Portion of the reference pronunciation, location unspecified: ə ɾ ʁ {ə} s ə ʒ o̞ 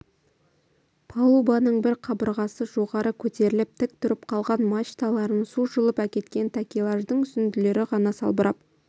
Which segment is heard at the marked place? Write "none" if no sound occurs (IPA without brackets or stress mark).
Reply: ɑ